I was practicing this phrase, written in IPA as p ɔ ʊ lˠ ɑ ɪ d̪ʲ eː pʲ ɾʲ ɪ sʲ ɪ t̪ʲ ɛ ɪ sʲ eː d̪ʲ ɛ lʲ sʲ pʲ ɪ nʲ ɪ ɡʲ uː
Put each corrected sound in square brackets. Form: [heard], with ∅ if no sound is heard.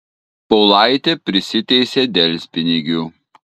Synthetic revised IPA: p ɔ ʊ lˠ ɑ ɪ [t̪ʲ] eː pʲ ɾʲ ɪ sʲ ɪ t̪ʲ ɛ ɪ sʲ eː d̪ʲ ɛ lʲ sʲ pʲ ɪ nʲ ɪ ɡʲ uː